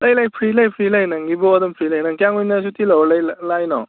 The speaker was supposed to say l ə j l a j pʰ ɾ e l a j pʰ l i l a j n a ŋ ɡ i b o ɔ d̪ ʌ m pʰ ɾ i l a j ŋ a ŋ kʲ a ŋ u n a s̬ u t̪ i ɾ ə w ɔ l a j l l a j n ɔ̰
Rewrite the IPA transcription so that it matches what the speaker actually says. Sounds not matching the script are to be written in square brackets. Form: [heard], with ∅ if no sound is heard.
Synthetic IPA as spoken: l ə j l a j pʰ ɾ [i] l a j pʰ [ɾ] i l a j n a ŋ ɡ i b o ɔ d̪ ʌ m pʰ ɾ i l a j [n] a ŋ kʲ a ŋ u n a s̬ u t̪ i [l] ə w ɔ l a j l l a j n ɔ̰

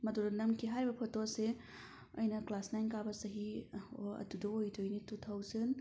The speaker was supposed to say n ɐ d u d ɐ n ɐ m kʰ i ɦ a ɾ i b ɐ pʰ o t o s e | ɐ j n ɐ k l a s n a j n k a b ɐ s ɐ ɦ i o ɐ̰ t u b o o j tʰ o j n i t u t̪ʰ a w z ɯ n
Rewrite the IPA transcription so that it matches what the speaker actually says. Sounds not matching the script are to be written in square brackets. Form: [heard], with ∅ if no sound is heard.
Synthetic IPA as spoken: [m] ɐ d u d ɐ n ɐ m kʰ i ɦ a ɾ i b ɐ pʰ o t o s e | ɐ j n ɐ k l a s n a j n k a b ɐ s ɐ ɦ i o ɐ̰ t u [d] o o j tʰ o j n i t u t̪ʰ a w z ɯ n

